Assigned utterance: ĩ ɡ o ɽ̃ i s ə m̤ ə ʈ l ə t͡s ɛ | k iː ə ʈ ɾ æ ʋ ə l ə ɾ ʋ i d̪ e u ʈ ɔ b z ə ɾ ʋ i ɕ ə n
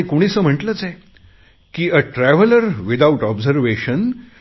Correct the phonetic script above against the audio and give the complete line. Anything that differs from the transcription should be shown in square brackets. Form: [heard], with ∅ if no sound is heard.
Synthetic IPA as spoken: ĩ [k] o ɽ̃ i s ə m̤ ə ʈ l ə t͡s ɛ | k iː ə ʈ ɾ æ ʋ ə l ə ɾ ʋ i d̪ [a] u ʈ ɔ b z ə ɾ ʋ [e] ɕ ə n

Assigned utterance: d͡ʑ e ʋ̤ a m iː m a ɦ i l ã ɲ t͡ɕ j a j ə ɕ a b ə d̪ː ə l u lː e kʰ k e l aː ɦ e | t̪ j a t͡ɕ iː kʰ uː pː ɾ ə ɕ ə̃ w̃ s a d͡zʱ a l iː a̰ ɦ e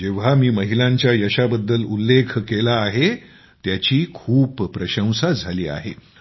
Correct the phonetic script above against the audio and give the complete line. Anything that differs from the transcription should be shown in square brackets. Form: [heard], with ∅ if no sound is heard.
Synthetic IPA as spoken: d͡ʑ e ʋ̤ a m iː m [ə] ɦ i l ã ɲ t͡ɕ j a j ə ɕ a b ə d̪ː ə l u lː e kʰ k e l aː ɦ e | t̪ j a t͡ɕ iː kʰ uː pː ɾ ə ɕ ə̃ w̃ s a d͡zʱ a l iː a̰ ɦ e

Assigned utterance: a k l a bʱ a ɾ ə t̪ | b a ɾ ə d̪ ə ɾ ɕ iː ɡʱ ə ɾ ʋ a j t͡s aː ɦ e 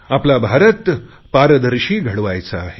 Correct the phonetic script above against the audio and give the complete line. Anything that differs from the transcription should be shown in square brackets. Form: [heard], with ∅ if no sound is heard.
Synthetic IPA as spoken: a [p] l a bʱ a ɾ ə t̪ | [p] a ɾ ə d̪ ə ɾ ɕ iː ɡʱ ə [ɽ] ʋ a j t͡s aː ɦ e

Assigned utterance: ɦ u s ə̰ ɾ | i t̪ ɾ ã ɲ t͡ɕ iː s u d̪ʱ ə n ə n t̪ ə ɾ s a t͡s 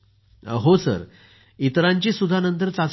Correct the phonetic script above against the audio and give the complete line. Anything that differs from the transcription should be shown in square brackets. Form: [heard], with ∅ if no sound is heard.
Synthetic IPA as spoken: ɦ [o] s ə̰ ɾ | i t̪ ɾ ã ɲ t͡ɕ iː s u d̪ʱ [a] n ə n t̪ ə ɾ [t͡s] a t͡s

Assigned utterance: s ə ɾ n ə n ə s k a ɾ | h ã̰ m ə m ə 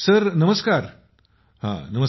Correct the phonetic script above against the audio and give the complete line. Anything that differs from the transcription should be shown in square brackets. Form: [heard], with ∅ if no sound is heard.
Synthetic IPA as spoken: s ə ɾ n ə [m] ə s k a ɾ | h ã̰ [n] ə m ə

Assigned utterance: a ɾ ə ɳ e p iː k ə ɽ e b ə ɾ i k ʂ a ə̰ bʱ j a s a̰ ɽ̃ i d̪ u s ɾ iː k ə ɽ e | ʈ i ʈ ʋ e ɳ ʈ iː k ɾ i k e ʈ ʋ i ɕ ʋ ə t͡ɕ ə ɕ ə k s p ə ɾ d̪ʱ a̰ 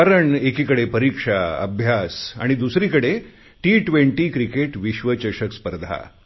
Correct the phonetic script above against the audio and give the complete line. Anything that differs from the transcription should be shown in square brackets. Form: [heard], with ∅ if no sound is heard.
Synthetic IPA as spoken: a ɾ ə ɳ e [k] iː k ə ɽ e [p] ə ɾ i k ʂ a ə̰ bʱ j a s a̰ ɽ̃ i d̪ u s ɾ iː k ə ɽ e | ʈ i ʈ ʋ e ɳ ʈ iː k ɾ i k e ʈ ʋ i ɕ ʋ ə t͡ɕ ə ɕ ə k s p ə ɾ d̪ʱ a̰

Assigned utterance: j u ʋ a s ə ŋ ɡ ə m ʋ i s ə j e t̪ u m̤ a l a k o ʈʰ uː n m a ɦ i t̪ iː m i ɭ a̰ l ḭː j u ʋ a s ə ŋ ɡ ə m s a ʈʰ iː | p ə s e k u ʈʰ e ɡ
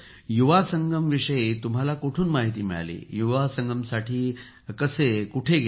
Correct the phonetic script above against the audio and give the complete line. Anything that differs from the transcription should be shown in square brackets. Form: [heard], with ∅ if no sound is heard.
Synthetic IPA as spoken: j u ʋ a s ə ŋ ɡ ə m ʋ i [ʂ] ə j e t̪ u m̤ a l a k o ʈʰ uː n m a ɦ i t̪ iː m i ɭ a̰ l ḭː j u ʋ a s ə ŋ ɡ ə m s a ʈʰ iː | [k] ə s e k u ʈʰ e ɡ

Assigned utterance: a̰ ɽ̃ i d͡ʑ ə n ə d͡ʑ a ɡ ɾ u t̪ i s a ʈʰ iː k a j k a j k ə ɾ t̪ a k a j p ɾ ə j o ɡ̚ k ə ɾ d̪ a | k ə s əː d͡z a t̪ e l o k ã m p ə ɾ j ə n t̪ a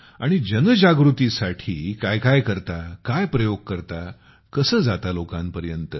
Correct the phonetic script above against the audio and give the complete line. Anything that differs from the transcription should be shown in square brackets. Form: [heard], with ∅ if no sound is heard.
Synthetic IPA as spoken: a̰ ɽ̃ i d͡ʑ ə n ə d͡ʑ a ɡ ɾ u t̪ i s a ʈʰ iː k a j k a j k ə ɾ t̪ a k a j p ɾ ə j o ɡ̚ k ə ɾ [t̪] a | k ə s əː d͡z a t̪ [a] l o k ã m p ə ɾ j ə n t̪ [ə]

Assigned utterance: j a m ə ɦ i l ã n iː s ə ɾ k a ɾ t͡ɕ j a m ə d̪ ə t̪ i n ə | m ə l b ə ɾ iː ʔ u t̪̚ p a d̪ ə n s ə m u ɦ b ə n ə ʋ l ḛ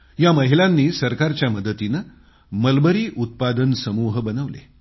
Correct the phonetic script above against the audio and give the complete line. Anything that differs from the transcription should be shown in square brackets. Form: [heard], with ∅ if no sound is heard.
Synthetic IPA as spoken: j a m ə ɦ i l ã [nː] iː s ə ɾ k a ɾ t͡ɕ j a m ə d̪ ə t̪ i n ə | m ə l b ə ɾ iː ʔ u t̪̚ p a d̪ ə n s ə m u ɦ b ə n ə ʋ l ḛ

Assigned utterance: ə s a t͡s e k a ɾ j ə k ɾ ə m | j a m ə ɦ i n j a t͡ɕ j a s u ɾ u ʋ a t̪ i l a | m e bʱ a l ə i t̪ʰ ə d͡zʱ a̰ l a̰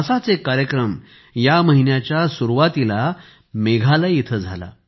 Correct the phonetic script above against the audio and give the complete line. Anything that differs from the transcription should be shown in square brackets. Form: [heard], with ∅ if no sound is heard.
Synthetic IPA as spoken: ə s a t͡s e k a ɾ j ə k ɾ ə m | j a m ə ɦ i n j a t͡ɕ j a s u ɾ u ʋ a t̪ i l a | m e [ɡʱ] a l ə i t̪ʰ ə d͡zʱ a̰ l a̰

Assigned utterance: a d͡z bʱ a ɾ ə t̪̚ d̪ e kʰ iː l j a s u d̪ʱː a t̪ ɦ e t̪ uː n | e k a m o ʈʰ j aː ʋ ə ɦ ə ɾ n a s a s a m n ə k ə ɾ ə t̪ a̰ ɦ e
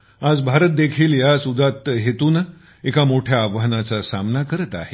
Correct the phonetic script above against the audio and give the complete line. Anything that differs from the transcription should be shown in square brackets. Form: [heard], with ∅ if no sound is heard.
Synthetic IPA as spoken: a d͡z bʱ a ɾ ə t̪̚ d̪ e kʰ iː l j a s u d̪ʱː a t̪ ɦ e t̪ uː n | e k a m o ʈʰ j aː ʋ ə ɦ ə [∅] n a [t͡s] a s a m n [a] k ə ɾ ə t̪ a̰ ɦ e

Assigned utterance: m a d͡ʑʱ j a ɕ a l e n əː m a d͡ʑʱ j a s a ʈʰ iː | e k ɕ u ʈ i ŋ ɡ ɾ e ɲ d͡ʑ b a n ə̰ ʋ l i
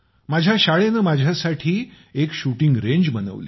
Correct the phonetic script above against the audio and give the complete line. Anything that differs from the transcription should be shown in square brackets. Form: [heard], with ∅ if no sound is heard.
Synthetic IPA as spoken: m a d͡ʑʱ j a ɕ a [ɭ] e n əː m a d͡ʑʱ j a s a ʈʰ iː | e k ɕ u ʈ i ŋ ɡ ɾ e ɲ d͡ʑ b [ə] n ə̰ ʋ l i

